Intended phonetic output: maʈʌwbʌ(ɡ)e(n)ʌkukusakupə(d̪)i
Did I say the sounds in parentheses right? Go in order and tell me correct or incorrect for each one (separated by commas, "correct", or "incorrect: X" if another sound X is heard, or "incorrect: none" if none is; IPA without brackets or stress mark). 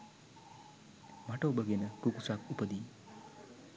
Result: correct, correct, correct